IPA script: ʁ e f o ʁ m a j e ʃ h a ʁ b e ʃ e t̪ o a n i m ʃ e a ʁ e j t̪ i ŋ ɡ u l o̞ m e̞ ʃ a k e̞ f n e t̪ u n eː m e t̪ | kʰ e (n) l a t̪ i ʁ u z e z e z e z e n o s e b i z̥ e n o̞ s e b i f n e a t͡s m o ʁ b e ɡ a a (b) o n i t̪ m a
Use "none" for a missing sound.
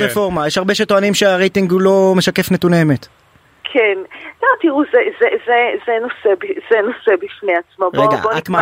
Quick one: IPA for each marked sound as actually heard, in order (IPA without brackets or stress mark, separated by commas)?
n, b